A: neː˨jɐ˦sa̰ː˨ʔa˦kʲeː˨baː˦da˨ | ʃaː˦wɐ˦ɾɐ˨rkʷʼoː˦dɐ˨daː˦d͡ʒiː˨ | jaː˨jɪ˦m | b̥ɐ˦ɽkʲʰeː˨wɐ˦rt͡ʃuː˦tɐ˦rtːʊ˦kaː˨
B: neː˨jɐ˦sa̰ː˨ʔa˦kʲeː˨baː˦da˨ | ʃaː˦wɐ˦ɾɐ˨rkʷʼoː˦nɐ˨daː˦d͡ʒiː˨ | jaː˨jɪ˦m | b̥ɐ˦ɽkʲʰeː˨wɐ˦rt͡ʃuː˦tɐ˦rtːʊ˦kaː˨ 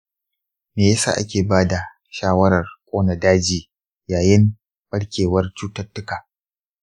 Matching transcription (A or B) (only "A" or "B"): B